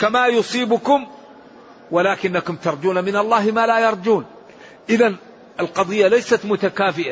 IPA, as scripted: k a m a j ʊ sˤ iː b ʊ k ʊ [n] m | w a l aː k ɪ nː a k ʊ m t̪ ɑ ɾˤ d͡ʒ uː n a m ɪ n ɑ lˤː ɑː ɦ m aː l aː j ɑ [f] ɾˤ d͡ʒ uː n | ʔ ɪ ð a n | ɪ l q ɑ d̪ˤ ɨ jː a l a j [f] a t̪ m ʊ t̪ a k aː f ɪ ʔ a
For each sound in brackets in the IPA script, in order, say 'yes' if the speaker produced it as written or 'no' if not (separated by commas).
no, no, no